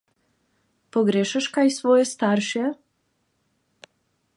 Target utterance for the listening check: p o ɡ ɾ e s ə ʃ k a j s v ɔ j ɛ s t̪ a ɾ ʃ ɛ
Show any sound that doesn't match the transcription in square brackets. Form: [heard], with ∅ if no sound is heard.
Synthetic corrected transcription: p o ɡ ɾ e [ʃ] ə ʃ k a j s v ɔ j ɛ s t̪ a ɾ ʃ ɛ